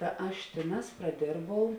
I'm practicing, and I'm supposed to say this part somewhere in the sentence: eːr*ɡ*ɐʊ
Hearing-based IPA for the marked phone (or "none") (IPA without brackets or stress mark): b